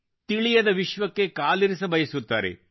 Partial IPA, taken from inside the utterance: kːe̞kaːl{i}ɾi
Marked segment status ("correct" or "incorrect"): correct